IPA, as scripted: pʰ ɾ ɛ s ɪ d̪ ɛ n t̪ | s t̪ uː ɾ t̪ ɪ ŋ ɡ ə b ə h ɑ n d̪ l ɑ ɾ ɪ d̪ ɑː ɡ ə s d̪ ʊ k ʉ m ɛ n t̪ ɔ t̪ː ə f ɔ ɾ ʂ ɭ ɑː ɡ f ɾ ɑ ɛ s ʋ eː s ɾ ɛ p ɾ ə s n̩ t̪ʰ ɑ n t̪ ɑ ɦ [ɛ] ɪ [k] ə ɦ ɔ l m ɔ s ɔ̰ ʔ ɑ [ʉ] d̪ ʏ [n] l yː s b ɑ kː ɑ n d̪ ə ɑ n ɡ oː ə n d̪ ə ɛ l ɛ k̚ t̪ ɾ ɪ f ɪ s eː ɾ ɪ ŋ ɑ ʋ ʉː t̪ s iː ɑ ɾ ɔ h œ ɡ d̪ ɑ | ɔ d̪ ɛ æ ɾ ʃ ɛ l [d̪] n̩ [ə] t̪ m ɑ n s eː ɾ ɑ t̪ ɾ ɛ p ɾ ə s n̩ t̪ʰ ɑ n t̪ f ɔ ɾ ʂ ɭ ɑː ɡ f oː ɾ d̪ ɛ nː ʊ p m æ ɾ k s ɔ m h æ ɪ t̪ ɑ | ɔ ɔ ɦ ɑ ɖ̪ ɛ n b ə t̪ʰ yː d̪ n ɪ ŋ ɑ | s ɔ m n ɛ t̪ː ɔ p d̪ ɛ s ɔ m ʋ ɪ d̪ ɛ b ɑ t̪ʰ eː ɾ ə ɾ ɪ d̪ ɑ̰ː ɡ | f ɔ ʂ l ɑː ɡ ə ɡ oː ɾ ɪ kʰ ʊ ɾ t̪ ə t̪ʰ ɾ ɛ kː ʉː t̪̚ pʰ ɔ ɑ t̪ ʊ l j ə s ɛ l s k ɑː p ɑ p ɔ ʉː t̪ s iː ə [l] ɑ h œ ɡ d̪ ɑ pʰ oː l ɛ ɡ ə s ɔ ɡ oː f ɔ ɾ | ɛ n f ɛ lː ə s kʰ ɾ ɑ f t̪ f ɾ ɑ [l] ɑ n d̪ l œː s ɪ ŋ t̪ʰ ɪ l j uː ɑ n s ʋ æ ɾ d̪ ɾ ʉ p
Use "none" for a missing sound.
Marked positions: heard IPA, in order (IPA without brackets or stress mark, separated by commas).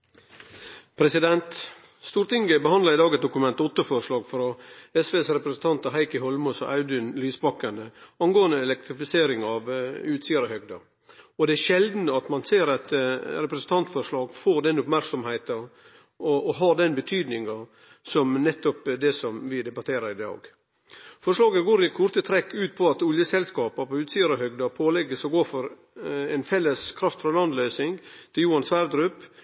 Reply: æ, k, ʉ, n, d̪, ɑ, ɾ, l